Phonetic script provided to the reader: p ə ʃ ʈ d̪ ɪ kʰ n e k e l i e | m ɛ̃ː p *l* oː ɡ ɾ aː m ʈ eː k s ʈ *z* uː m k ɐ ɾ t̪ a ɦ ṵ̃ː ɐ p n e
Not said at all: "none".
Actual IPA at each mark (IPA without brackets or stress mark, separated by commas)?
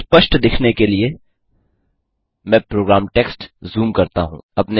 ɾ, z